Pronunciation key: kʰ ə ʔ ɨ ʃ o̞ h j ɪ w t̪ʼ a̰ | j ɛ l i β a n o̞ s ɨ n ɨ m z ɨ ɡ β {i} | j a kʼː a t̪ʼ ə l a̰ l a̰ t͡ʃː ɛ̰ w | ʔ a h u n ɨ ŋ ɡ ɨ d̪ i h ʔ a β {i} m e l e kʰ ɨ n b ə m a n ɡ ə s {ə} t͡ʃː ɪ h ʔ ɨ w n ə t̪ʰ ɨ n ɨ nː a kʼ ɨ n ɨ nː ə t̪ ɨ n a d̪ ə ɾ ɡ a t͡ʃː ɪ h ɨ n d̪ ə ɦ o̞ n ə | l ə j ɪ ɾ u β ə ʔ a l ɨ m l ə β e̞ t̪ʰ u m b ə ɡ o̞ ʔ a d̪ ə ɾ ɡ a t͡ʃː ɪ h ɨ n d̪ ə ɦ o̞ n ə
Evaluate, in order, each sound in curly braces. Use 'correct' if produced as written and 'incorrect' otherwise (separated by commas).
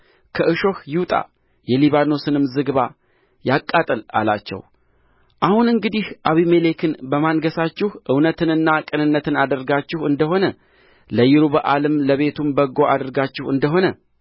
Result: incorrect, correct, incorrect